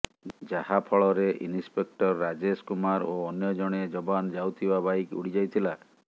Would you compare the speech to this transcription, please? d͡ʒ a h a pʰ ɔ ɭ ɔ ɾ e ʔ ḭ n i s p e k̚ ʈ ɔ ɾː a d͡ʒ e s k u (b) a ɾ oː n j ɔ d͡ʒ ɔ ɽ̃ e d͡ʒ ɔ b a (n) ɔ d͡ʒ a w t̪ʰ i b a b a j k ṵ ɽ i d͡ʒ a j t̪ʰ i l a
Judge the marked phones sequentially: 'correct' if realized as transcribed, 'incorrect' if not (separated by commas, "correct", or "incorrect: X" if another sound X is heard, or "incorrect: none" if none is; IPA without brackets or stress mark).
incorrect: m, correct